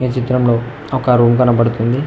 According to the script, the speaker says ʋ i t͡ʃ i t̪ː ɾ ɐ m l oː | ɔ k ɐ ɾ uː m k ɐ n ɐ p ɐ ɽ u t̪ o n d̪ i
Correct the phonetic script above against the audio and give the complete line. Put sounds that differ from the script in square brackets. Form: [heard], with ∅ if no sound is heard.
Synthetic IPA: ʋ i t͡ʃ i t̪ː ɾ ɐ m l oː | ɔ k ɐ ɾ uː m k ɐ n ɐ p ɐ ɽ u t̪ [u] n d̪ i